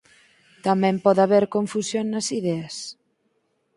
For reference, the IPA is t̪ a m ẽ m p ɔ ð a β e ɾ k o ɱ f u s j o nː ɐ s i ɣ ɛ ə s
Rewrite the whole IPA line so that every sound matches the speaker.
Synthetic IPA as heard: t̪ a m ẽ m p ɔ ð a β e ɾ k o ɱ f u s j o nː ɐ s i ð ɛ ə s